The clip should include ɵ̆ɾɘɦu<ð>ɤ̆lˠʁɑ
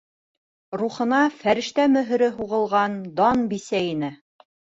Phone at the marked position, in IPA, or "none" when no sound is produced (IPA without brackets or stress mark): ʁ